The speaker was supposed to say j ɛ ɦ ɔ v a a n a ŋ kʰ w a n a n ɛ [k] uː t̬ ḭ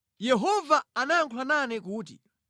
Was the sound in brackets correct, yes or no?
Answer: yes